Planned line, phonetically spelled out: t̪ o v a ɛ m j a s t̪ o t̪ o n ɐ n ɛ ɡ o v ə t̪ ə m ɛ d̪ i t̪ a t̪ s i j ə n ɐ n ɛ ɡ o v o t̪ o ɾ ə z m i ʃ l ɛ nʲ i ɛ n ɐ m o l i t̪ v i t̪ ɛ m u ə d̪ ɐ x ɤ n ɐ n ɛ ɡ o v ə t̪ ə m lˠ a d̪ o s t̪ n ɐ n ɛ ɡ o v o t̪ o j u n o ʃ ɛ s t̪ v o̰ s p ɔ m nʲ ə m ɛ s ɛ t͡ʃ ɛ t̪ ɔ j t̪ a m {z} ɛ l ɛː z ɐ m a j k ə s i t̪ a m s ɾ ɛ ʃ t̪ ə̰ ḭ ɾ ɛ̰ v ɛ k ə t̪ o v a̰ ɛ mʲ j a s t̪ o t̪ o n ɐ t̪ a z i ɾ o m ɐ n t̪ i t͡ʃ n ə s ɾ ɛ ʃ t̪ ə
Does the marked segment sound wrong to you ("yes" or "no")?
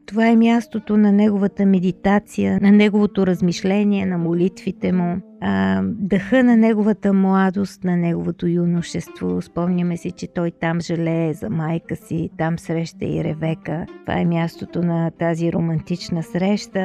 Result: yes